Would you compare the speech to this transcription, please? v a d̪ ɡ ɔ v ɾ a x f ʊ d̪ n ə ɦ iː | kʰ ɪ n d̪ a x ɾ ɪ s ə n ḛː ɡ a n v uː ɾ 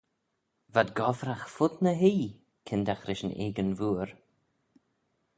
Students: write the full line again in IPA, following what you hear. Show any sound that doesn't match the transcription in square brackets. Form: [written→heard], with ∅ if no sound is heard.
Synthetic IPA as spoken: v a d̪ ɡ ɔ v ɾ a x f ʊ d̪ n ə ɦ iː | kʰ ɪ n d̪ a x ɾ ɪ [s→ʃ] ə n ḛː ɡ [a→ə] n v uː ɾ